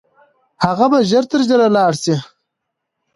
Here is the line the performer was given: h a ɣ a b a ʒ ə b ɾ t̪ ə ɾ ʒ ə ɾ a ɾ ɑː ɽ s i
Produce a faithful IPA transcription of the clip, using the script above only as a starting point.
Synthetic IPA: h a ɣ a b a ʒ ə ɾ t̪ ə ɾ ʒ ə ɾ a l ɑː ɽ s i